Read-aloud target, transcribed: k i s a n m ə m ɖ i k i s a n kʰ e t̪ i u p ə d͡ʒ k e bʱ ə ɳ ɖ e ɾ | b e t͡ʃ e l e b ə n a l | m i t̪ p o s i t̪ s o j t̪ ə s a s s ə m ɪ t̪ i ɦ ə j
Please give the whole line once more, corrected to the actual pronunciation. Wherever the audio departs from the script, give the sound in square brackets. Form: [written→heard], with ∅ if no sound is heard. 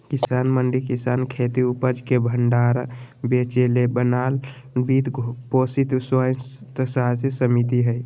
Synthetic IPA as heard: k i s a n m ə [m→ɳ] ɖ i k i s a n kʰ e t̪ i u p ə d͡ʒ k e bʱ ə ɳ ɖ [e→a] ɾ | b e t͡ʃ e l e b ə n a l | [m→b] i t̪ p o s i t̪ s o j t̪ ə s a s s ə m [ɪ→i] t̪ i ɦ ə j